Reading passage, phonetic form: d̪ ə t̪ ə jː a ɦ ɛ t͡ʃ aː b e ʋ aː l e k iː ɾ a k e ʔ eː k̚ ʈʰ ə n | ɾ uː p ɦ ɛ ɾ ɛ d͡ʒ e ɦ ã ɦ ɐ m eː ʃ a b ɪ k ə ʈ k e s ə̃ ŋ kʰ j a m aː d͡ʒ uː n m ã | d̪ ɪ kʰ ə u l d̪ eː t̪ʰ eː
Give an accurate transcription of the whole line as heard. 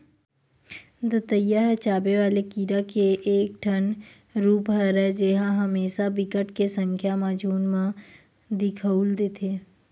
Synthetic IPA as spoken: d̪ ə t̪ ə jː a ɦ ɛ t͡ʃ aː b e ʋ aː l e k iː ɾ a k e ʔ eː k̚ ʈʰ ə n | ɾ uː p ɦ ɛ ɾ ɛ d͡ʒ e ɦ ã ɦ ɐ m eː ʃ a b ɪ k ə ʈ k e s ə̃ ŋ kʰ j a m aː d͡ʒ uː n m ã | d̪ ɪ kʰ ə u l d̪ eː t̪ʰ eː